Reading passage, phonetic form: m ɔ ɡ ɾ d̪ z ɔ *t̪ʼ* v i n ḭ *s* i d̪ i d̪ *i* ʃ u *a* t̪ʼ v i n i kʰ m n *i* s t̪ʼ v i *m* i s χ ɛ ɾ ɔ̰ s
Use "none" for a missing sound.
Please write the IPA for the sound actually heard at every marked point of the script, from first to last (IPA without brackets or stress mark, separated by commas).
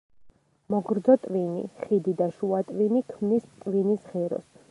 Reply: t̪ʼ, χ, a, a, i, n